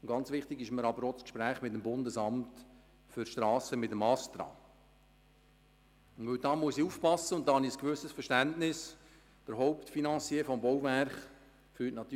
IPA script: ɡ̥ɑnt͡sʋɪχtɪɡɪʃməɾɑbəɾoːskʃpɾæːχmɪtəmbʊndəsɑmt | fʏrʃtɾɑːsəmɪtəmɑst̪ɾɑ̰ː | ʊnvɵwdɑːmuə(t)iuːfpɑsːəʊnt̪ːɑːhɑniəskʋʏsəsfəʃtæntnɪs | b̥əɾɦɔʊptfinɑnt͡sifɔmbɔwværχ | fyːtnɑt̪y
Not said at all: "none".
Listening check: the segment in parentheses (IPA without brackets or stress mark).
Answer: s